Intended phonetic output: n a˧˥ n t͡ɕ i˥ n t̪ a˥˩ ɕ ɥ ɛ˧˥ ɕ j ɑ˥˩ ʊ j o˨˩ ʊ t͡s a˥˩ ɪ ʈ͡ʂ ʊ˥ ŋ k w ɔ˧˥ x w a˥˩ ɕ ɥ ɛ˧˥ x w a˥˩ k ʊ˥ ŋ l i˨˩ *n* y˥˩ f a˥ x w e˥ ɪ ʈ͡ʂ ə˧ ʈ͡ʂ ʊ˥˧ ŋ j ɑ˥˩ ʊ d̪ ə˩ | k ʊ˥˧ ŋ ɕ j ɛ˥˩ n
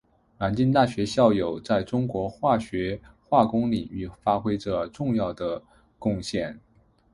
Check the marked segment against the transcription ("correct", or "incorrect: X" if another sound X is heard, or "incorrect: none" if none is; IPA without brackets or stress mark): incorrect: ŋ